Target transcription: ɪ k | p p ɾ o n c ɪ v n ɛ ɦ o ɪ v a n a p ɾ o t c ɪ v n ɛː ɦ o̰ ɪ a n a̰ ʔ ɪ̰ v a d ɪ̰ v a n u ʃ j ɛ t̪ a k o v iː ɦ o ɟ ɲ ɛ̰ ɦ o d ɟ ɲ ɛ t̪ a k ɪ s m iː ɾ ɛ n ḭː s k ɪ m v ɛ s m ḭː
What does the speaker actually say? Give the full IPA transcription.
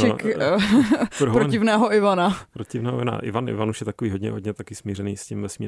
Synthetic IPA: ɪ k | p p ɾ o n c ɪ v n ɛː ɦ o ɪ v a n a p ɾ o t c ɪ v n ɛː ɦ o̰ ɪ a n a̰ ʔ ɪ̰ v a n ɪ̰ v a n u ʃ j ɛ t̪ a k o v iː ɦ o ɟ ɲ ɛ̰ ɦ o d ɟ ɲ ɛ t̪ a k ɪ s m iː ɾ ɛ n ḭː s c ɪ m v ɛ s m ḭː